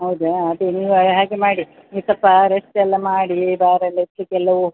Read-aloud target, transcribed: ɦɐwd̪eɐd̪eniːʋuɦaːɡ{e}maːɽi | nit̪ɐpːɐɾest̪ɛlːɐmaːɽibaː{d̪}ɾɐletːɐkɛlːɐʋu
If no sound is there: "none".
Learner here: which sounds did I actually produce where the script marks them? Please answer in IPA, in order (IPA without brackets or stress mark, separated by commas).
e, none